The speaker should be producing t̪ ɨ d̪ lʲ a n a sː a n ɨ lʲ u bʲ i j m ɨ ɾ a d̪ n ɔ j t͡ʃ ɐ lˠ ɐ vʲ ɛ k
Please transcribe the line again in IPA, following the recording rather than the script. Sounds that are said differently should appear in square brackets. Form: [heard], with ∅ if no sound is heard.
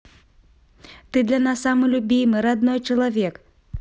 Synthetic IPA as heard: t̪ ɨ d̪ lʲ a n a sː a [m] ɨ lʲ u bʲ i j m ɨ ɾ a d̪ n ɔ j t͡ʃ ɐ lˠ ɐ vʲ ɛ k

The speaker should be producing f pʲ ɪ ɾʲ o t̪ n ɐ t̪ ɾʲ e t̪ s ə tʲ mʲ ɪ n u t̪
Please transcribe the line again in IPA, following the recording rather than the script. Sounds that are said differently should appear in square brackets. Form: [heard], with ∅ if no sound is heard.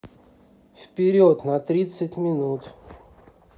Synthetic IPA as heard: f pʲ ɪ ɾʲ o t̪ n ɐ t̪ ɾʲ [i] t̪ s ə tʲ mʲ ɪ n u t̪

